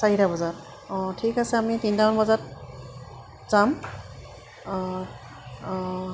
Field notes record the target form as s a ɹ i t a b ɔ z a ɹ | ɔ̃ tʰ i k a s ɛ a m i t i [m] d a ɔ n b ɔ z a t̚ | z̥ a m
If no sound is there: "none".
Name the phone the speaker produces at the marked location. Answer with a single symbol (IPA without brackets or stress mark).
n